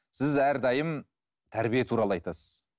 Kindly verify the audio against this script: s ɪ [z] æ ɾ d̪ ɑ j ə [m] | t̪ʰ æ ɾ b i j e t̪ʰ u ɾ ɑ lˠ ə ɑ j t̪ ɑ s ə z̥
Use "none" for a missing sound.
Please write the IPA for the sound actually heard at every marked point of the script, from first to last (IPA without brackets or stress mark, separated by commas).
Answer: z, m